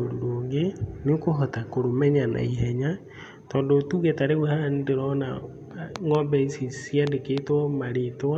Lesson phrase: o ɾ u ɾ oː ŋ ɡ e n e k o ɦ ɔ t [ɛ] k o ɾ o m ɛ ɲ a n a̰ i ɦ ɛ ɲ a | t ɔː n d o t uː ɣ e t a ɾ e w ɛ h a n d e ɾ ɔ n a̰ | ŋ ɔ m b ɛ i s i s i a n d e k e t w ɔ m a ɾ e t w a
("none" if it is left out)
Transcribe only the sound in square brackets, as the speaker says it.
a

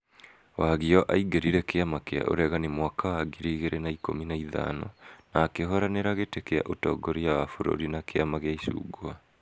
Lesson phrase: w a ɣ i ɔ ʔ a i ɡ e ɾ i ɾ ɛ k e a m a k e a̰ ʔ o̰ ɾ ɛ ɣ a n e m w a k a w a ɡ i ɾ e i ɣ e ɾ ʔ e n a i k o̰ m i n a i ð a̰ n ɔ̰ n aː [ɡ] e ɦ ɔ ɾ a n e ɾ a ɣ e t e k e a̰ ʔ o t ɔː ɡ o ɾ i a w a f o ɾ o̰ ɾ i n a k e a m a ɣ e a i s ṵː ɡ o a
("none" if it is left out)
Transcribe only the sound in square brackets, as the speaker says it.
k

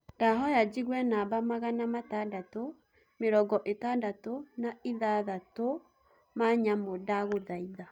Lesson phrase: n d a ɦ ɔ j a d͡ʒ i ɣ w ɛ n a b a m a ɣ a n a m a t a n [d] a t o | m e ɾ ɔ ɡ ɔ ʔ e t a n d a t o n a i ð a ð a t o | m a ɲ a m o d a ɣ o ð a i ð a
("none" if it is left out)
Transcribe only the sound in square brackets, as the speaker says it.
d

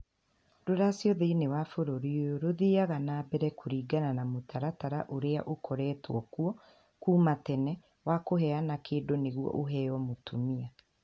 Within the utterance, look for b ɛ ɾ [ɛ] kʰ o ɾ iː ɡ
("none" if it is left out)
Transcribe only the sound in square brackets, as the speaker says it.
ɛ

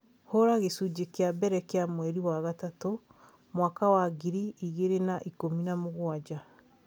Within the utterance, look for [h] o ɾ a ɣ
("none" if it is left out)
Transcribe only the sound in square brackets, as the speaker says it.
h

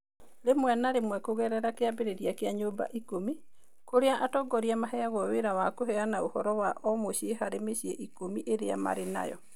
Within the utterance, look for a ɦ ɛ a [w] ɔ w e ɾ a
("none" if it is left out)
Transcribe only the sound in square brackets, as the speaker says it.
ɣ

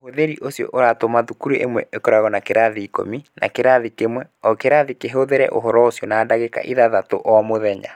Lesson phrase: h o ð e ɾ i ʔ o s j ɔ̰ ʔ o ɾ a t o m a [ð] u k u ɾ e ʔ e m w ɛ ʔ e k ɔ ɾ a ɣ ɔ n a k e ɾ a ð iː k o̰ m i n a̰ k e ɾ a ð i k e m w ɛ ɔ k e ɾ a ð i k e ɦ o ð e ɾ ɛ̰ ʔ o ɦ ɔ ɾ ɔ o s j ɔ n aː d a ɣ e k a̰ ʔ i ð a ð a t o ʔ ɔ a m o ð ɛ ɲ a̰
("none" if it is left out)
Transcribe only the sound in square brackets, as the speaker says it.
ð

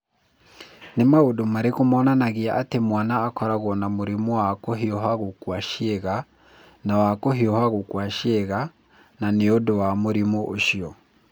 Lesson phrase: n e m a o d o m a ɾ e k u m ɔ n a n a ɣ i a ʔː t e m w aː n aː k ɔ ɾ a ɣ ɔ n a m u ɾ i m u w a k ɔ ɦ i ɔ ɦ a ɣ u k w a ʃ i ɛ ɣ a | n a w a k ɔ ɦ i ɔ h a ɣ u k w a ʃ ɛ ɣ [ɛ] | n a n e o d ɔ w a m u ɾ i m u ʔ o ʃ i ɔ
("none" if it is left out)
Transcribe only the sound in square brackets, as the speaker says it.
a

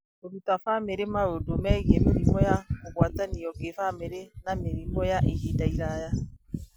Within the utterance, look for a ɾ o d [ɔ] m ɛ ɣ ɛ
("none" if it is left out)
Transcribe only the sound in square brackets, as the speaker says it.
o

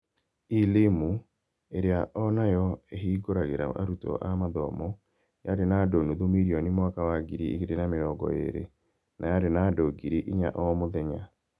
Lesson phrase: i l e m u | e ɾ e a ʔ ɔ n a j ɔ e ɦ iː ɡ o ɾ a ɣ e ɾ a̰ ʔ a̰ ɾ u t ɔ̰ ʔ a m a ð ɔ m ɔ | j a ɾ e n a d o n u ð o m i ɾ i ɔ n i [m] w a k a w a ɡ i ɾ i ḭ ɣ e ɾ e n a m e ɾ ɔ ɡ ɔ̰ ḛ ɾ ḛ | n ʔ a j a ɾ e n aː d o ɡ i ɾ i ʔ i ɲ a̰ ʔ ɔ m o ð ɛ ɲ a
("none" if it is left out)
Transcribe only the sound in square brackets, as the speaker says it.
m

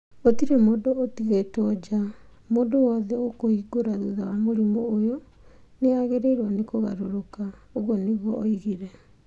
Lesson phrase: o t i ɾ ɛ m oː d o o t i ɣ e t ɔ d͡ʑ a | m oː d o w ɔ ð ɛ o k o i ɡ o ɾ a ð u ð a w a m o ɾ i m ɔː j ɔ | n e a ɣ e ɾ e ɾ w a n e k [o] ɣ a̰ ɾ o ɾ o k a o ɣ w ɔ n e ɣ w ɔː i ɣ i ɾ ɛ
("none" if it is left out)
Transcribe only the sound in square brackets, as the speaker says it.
o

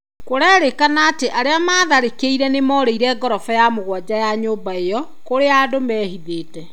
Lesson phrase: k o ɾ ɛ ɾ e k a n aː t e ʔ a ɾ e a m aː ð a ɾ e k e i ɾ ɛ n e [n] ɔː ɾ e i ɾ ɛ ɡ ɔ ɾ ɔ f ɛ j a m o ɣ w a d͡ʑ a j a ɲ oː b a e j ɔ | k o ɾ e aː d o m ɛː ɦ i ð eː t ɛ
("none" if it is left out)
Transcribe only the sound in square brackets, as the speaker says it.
m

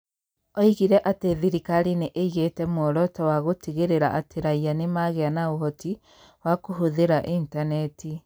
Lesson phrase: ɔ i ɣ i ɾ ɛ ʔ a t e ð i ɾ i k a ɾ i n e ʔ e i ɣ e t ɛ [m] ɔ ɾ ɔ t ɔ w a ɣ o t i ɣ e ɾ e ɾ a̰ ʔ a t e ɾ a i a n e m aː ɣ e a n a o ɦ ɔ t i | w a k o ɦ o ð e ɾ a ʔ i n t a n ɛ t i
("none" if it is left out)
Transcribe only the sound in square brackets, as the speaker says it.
m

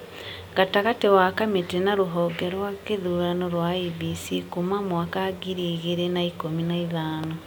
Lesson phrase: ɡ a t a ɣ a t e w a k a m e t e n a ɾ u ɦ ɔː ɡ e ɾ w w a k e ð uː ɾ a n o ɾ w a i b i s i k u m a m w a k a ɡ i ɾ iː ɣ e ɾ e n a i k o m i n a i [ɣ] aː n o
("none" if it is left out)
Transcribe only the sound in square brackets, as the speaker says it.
ð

